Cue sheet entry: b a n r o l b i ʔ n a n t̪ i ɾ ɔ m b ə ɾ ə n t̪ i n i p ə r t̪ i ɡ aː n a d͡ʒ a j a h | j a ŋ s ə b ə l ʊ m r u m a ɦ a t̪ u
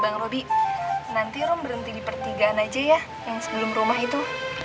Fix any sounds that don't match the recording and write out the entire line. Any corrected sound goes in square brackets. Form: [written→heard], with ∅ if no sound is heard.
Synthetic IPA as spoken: b a [n→ŋ] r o [l→∅] b i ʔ n a n t̪ i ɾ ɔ m b ə ɾ ə n t̪ i [n→d] i p ə r t̪ i ɡ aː n a d͡ʒ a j a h | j a ŋ s ə b ə l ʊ m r u m a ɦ [a→i] t̪ u